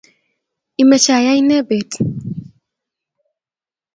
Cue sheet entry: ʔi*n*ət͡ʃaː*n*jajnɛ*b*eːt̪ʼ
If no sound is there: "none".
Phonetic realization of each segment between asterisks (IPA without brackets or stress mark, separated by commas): m, none, b